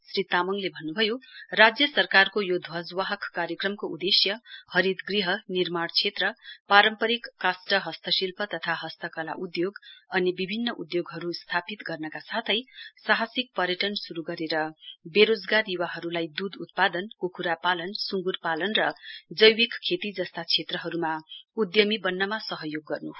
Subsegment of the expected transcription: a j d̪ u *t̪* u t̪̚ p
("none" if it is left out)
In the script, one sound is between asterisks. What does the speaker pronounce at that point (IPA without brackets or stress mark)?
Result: d̪